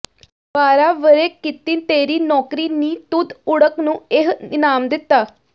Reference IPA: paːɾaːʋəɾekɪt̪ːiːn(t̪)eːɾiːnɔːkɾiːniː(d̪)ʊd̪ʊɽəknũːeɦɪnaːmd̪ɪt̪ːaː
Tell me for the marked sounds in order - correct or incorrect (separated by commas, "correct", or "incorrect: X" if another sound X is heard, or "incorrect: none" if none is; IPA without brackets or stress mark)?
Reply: correct, incorrect: t̪